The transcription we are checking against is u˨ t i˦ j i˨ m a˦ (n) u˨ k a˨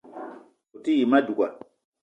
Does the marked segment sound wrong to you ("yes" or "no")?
yes